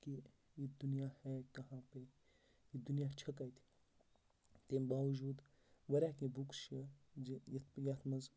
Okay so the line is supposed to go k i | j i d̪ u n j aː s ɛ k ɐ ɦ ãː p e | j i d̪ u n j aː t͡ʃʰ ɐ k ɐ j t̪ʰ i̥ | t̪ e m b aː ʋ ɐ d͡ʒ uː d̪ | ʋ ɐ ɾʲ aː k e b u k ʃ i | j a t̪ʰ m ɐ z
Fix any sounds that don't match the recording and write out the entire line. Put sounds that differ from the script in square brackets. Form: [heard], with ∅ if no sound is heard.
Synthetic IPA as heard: k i | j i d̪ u n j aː [h] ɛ k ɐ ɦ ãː p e | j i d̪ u n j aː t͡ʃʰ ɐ k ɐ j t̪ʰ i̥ | t̪ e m b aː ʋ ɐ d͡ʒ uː d̪ | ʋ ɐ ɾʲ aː k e b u k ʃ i | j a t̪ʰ m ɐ z